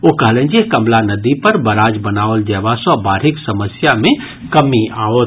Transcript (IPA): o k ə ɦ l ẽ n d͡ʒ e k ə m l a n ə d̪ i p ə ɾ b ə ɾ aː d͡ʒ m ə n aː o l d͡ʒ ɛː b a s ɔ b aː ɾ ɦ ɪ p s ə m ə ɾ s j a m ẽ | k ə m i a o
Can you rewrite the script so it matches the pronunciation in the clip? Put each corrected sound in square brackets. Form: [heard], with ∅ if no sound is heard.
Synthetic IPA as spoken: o k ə ɦ l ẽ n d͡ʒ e k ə m l a n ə d̪ i p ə ɾ b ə ɾ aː d͡ʒ [b] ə n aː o l d͡ʒ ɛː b a s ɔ b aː ɾ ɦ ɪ [k] s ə m ə [∅] s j a m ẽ | k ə m i a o